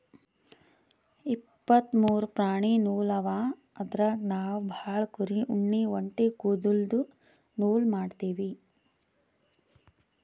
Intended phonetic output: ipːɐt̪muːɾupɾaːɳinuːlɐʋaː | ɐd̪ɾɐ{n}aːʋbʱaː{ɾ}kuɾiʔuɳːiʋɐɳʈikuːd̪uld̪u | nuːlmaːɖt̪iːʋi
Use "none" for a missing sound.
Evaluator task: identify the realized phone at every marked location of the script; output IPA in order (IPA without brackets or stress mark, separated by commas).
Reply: n, ɭ